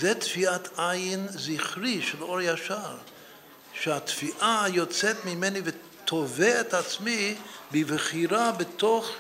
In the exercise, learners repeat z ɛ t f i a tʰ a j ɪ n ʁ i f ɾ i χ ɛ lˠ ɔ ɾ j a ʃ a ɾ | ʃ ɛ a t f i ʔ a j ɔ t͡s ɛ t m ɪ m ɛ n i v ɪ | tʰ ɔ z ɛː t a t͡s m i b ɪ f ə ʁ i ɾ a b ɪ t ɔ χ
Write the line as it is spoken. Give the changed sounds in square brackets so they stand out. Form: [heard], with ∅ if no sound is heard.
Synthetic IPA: z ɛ t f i a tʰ a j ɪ n [z] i [χ] ɾ i [ʃ] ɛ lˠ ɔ ɾ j a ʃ a ɾ | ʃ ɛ a t f i ʔ a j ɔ t͡s ɛ t m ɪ m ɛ n i v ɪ | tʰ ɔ [v] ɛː t a t͡s m i b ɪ [v] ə [χ] i ɾ a b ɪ t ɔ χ